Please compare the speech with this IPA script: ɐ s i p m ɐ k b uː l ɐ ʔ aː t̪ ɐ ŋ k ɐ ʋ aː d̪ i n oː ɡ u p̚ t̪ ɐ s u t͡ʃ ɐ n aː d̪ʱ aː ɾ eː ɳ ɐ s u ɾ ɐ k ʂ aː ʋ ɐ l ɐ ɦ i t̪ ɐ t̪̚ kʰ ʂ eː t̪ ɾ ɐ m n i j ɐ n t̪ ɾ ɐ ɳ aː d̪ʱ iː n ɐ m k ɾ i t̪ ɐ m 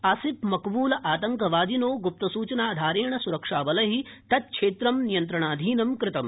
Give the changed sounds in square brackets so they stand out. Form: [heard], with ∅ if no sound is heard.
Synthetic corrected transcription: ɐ s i p m ɐ k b uː l ɐ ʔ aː t̪ ɐ ŋ k ɐ ʋ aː d̪ i n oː ɡ u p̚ t̪ ɐ s [uː] t͡ʃ ɐ n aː d̪ʱ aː ɾ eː ɳ ɐ s u ɾ ɐ k ʂ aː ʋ ɐ l ɐ ɦ i t̪ ɐ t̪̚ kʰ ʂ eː t̪ ɾ ɐ m n i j ɐ n t̪ ɾ ɐ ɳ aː d̪ʱ iː n ɐ m k ɾ [ɪ] t̪ ɐ m

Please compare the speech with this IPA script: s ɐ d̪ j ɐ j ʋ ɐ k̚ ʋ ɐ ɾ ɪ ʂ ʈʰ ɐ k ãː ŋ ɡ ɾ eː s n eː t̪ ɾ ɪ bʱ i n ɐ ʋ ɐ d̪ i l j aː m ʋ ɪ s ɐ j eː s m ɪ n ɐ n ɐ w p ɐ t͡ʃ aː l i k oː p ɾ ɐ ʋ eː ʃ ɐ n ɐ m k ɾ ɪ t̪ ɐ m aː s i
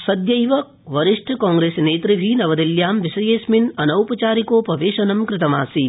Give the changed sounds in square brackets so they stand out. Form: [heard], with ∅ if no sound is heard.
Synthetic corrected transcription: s ɐ d̪ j ɐ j ʋ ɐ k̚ ʋ ɐ ɾ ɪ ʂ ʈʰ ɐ k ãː ŋ ɡ ɾ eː s n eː t̪ ɾ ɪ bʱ i n ɐ ʋ ɐ d̪ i l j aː m ʋ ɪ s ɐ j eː s m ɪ n ɐ n ɐ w p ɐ t͡ʃ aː [ɾ] i k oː p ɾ ɐ ʋ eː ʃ ɐ n ɐ m k ɾ ɪ t̪ ɐ m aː s i

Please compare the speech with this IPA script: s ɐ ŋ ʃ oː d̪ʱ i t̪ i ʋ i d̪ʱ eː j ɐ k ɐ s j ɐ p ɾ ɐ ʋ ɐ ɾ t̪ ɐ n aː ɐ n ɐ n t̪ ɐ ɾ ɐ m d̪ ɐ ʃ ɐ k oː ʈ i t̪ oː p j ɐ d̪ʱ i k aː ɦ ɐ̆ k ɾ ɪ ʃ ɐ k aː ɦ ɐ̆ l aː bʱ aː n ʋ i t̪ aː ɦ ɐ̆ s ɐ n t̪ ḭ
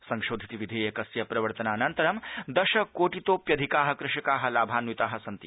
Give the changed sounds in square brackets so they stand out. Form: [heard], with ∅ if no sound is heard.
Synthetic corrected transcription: s ɐ ŋ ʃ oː d̪ʱ i t̪ i ʋ i d̪ʱ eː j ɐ k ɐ s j ɐ p ɾ ɐ ʋ ɐ ɾ t̪ ɐ n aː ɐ n ɐ n t̪ ɐ ɾ ɐ m d̪ ɐ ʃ ɐ k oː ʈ i t̪ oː p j ɐ d̪ʱ i k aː ɦ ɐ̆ k ɾ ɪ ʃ ɐ k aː ɦ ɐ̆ l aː bʱ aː n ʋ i t̪ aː ɦ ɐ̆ s ɐ n t̪ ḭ

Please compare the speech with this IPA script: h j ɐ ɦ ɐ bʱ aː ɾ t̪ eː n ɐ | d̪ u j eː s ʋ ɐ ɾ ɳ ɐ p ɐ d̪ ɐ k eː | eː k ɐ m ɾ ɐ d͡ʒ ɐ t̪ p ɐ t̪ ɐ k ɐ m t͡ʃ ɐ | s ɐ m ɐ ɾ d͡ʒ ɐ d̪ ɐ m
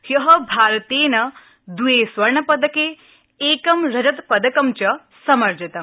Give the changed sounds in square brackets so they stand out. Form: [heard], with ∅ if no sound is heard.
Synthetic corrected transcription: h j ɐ ɦ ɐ bʱ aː ɾ t̪ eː n ɐ | d̪ u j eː s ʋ ɐ ɾ ɳ ɐ p ɐ d̪ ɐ k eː | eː k ɐ m ɾ ɐ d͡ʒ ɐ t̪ p ɐ [d̪] ɐ k ɐ m t͡ʃ ɐ | s ɐ m ɐ ɾ d͡ʒ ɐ [t̪] ɐ m

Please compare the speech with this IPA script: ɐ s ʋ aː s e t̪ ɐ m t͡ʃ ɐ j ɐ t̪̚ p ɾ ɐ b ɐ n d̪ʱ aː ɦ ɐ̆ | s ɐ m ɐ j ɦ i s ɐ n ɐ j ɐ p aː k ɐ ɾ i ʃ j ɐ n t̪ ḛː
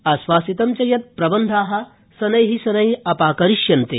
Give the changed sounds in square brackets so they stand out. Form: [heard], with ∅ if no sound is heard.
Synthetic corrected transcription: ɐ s ʋ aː s [i] t̪ ɐ m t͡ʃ ɐ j ɐ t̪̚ p ɾ ɐ b ɐ n d̪ʱ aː ɦ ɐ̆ | s ɐ [n] ɐ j ɦ i s ɐ n ɐ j ɐ p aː k ɐ ɾ i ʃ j ɐ n t̪ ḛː

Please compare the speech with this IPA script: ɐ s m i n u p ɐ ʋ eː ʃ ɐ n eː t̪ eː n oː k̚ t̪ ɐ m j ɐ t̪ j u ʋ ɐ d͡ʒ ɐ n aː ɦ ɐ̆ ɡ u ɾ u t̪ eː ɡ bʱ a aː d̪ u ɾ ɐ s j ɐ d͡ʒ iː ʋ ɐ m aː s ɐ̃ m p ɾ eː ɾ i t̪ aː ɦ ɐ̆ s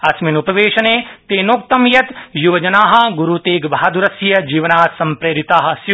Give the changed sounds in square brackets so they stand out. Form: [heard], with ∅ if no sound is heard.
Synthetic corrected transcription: ɐ s m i n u p ɐ ʋ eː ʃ ɐ n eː t̪ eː n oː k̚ t̪ ɐ m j ɐ t̪ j u ʋ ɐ d͡ʒ ɐ n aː ɦ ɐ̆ ɡ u ɾ u t̪ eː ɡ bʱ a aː d̪ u ɾ ɐ s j ɐ d͡ʒ iː ʋ ɐ [n] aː s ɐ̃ m p ɾ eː ɾ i t̪ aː ɦ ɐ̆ s

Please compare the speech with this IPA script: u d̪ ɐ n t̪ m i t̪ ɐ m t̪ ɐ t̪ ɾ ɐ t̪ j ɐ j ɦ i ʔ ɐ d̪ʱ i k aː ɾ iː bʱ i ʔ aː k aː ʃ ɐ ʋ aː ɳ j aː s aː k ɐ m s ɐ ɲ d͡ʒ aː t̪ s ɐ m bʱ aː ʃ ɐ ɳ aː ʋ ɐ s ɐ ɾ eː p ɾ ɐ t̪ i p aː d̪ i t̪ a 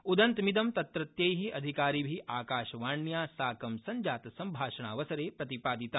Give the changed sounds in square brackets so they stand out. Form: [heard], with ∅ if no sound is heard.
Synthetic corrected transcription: u d̪ ɐ n t̪ m i [d̪] ɐ m t̪ ɐ t̪ ɾ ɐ t̪ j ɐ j ɦ i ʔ ɐ d̪ʱ i k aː ɾ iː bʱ i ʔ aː k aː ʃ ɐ ʋ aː ɳ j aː s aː k ɐ m s ɐ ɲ d͡ʒ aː t̪ s ɐ m bʱ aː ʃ ɐ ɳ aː ʋ ɐ s ɐ ɾ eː p ɾ ɐ t̪ i p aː d̪ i t̪ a

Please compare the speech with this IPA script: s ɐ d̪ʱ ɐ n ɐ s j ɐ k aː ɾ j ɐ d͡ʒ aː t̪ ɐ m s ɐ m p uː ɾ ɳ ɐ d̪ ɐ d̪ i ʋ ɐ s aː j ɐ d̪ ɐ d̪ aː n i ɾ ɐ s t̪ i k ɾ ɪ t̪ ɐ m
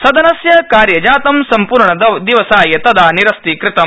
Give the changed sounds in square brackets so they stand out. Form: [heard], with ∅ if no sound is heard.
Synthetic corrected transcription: s ɐ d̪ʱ ɐ n ɐ s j ɐ k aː ɾ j ɐ d͡ʒ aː t̪ ɐ m s ɐ m p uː ɾ ɳ ɐ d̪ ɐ d̪ i ʋ ɐ s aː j ɐ [t̪] ɐ d̪ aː n i ɾ ɐ s t̪ i k ɾ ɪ t̪ ɐ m

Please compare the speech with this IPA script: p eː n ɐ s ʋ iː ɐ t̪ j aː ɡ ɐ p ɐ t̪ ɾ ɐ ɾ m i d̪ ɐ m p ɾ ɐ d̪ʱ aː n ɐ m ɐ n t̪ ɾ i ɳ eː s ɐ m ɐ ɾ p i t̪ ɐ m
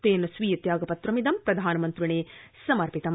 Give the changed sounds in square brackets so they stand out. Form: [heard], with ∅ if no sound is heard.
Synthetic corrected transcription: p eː n ɐ s ʋ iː ɐ t̪ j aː ɡ ɐ p ɐ t̪ ɾ ɐ [∅] m i d̪ ɐ m p ɾ ɐ d̪ʱ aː n ɐ m ɐ n t̪ ɾ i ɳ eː s ɐ m ɐ ɾ p i t̪ ɐ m

